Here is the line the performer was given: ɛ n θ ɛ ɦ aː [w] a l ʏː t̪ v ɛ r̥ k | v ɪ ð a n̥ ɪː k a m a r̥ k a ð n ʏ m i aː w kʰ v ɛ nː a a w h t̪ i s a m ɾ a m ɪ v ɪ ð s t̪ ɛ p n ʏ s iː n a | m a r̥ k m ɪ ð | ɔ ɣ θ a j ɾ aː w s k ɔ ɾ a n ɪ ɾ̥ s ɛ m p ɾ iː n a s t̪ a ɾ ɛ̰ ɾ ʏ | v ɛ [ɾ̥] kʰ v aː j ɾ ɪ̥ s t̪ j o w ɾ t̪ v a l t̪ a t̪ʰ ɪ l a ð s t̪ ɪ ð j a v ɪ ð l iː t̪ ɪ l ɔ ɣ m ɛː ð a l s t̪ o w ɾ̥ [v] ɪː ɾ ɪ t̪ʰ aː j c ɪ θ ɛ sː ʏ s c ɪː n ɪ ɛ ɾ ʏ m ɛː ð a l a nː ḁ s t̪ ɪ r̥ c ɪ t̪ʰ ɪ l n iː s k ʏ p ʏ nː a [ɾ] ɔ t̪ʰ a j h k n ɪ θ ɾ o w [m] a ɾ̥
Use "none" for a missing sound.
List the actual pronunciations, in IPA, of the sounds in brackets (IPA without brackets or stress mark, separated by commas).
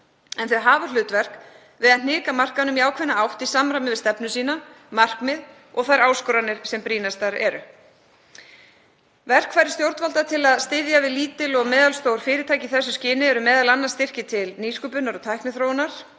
v, r̥, f, ɾ, n